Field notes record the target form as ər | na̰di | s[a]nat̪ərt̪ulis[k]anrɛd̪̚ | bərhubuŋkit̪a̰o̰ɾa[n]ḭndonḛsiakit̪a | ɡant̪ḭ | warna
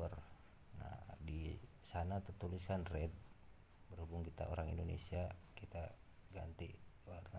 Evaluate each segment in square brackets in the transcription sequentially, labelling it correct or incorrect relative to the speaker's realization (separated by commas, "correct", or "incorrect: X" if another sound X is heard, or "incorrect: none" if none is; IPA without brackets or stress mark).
correct, correct, incorrect: ŋ